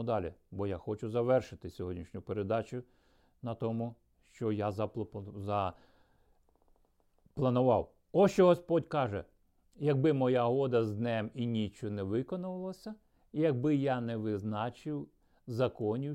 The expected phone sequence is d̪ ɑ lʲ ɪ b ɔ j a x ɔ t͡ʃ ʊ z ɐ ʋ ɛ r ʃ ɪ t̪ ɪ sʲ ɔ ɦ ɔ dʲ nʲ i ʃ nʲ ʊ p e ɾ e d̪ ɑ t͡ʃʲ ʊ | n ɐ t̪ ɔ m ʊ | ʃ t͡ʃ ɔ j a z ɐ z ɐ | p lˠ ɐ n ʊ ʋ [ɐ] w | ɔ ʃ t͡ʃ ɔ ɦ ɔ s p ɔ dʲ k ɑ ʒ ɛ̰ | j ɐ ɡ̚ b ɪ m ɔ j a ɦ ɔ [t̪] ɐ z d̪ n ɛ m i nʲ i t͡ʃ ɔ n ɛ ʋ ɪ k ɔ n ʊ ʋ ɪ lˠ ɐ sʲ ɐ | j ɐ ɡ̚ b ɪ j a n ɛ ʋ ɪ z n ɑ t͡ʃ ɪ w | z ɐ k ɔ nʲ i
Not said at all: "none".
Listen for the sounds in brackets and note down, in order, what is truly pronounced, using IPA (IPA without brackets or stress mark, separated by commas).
ɑ, d̪